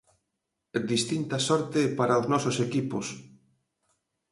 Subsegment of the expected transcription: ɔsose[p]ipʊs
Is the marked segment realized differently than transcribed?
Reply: yes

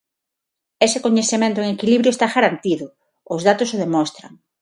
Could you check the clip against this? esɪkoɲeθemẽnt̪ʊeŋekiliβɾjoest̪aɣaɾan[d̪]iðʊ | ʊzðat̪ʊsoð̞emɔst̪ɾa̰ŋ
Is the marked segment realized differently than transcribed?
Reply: yes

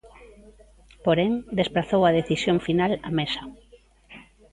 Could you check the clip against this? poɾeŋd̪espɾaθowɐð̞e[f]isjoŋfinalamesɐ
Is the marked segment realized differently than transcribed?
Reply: yes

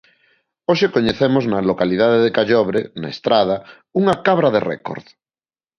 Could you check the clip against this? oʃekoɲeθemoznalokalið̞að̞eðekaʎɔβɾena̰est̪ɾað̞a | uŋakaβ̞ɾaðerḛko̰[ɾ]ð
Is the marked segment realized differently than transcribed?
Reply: no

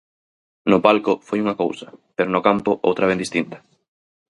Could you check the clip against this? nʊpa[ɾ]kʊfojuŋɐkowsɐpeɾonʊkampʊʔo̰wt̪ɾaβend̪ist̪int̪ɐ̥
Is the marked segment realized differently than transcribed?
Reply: yes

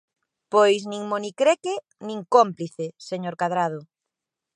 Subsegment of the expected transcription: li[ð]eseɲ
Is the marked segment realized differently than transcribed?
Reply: yes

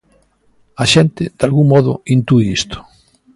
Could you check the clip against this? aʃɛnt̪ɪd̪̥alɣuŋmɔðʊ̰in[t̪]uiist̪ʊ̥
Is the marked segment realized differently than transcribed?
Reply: no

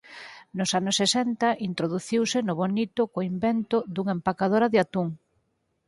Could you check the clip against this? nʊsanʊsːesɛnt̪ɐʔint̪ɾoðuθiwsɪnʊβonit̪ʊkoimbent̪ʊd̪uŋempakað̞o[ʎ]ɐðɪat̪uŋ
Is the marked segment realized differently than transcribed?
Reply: yes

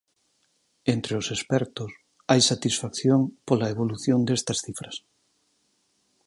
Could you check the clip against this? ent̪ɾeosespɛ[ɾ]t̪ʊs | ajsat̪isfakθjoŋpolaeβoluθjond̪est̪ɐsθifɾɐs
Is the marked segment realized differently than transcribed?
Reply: no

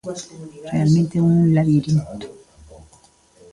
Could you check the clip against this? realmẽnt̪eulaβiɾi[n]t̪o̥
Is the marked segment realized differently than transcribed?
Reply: no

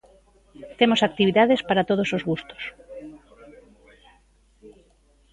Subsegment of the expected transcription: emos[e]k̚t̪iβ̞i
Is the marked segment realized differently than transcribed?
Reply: yes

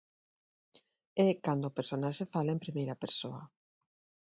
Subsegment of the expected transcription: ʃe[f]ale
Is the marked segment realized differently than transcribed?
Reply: no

